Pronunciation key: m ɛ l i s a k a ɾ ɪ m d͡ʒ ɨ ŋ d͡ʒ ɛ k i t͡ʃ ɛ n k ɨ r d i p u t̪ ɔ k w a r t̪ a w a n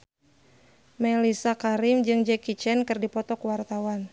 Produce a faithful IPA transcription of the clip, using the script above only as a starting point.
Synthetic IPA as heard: m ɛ l i s a k a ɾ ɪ m d͡ʒ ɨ ŋ d͡ʒ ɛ k i t͡ʃ ɛ n k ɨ r d i p ɔ t̪ ɔ k w a r t̪ a w a n